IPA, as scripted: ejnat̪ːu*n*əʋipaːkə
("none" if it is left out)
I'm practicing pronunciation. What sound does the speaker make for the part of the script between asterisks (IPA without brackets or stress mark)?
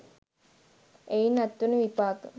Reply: n